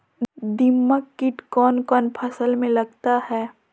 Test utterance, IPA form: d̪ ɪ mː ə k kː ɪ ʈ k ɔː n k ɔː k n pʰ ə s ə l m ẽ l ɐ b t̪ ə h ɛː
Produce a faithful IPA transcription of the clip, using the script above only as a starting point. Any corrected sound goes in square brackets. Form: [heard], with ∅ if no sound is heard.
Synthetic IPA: d̪ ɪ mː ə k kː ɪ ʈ k ɔː n k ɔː [∅] n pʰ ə s ə l m ẽ l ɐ [ɡ] t̪ [a] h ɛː

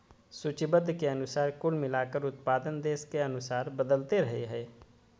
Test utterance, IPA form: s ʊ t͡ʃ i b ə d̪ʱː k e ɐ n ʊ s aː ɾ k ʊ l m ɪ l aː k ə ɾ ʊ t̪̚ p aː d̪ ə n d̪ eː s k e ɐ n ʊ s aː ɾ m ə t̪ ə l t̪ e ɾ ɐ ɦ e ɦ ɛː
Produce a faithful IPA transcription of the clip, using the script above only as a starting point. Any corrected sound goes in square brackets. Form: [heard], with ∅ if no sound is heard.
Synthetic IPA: s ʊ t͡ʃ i b ə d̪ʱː k e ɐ n ʊ s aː ɾ k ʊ l m ɪ l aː k ə ɾ ʊ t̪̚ p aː d̪ ə n d̪ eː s k e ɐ n ʊ s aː ɾ [b] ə [d̪] ə l t̪ e ɾ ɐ ɦ e ɦ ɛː

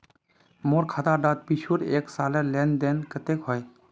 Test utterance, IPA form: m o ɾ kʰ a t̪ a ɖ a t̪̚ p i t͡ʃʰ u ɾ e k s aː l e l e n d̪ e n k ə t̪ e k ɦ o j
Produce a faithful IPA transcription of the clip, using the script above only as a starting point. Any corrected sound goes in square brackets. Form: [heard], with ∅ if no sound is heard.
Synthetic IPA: m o ɾ kʰ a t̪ a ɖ a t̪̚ p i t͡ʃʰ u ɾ e k s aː l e l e n d̪ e n k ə t̪ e k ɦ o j

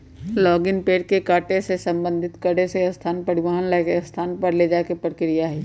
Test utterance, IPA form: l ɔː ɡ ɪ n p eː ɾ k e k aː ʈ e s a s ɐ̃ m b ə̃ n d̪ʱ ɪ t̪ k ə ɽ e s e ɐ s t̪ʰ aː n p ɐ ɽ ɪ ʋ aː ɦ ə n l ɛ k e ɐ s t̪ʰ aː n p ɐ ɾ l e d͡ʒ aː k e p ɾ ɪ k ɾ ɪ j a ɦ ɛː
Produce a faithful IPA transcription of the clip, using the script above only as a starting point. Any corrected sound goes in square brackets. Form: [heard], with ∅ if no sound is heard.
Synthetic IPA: l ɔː ɡ ɪ n p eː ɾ k e k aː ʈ e s [e] s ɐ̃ m b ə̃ n d̪ʱ ɪ t̪ k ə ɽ e s e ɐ s t̪ʰ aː n p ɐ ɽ ɪ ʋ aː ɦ ə n l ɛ k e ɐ s t̪ʰ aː n p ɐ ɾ l e d͡ʒ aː k e p ɾ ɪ k ɾ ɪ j a ɦ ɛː

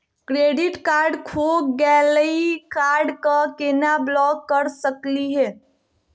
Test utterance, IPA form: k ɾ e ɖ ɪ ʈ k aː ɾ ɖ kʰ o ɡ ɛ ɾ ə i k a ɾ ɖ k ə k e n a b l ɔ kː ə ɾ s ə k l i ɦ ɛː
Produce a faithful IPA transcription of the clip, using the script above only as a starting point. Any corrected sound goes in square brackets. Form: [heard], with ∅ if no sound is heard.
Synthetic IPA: k ɾ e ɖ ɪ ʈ k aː ɾ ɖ kʰ o ɡ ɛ [l] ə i k a ɾ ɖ k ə k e n a b l ɔ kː ə ɾ s ə k l i ɦ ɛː

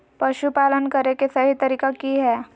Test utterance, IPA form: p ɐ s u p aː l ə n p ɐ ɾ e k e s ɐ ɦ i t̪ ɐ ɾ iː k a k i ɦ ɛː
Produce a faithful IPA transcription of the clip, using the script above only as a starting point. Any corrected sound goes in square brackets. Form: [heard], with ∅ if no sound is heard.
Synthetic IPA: p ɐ [ʃ] u p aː l ə n [k] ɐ ɾ e k e s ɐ ɦ i t̪ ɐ ɾ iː k a k i ɦ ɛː

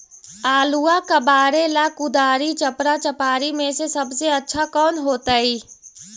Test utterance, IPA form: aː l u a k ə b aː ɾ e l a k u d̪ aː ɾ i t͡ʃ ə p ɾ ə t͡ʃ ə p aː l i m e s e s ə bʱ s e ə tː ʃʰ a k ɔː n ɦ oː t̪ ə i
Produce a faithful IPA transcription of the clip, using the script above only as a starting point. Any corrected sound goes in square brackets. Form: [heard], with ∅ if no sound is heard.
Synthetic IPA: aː l u a k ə b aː ɾ e l a k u d̪ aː ɾ i t͡ʃ ə p ɾ [a] t͡ʃ ə p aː [ɾ] i m e s e s ə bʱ s e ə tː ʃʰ a k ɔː n ɦ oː t̪ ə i

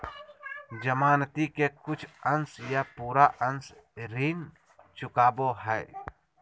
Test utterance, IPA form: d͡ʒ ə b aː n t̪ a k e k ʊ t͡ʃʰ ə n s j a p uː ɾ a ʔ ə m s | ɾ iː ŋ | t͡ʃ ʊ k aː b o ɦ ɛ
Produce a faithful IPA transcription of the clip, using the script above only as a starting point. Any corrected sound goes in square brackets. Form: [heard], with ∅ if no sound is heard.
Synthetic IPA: d͡ʒ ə [m] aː n t̪ [i] k e k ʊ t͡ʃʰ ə n s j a p uː ɾ a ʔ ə [n] s | ɾ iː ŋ | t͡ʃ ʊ k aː b o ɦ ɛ

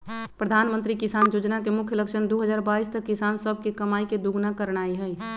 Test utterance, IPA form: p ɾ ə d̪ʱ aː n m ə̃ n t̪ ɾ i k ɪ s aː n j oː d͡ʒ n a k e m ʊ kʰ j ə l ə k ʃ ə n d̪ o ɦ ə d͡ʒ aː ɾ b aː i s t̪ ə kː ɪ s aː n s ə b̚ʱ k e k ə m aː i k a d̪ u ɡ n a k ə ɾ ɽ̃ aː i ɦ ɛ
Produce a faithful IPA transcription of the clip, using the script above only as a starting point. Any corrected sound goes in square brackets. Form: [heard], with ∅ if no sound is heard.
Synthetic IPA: p ɾ ə d̪ʱ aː n m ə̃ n t̪ ɾ i k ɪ s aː n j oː d͡ʒ n a k e m ʊ kʰ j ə l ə k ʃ ə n d̪ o ɦ ə d͡ʒ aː ɾ b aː i s t̪ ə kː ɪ s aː n s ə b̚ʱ k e k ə m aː i k [e] d̪ u ɡ n a k ə ɾ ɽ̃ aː i ɦ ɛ

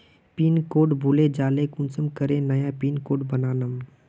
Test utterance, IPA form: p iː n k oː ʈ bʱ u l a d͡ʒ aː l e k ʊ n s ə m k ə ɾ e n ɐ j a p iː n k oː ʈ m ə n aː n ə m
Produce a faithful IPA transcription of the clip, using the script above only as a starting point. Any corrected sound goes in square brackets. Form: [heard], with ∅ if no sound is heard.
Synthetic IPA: p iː n k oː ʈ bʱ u l [e] d͡ʒ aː l e k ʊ n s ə m k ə ɾ e n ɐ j a p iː n k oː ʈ [b] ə n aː n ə m

